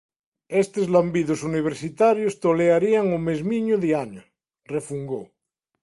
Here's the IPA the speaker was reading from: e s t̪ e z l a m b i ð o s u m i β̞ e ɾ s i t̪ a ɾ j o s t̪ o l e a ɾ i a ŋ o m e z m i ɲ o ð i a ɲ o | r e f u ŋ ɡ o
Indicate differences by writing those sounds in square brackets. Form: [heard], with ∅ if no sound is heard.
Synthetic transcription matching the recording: e s t̪ e z l a m b i ð o s u [n] i β̞ e ɾ s i t̪ a ɾ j o s t̪ o l e a ɾ i a ŋ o m e z m i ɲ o ð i a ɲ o | r e f u ŋ ɡ o